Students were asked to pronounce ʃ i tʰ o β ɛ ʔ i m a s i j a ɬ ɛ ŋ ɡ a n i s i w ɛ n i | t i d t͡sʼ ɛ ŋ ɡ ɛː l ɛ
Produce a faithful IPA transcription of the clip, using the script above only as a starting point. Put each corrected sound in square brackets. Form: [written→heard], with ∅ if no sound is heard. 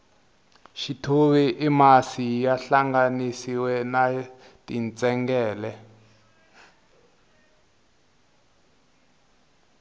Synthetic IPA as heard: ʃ i tʰ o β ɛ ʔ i m a s i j a ɬ [ɛ→a] ŋ ɡ a n i s i w ɛ n [i→a] | t i [d→n] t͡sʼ ɛ ŋ ɡ ɛː l ɛ